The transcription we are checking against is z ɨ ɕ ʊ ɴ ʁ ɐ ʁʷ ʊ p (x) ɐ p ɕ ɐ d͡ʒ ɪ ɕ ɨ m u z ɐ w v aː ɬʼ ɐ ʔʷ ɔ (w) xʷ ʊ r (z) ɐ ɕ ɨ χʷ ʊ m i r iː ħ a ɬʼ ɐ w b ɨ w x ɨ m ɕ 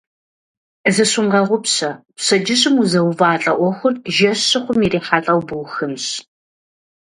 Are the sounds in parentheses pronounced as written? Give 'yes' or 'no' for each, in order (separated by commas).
no, no, no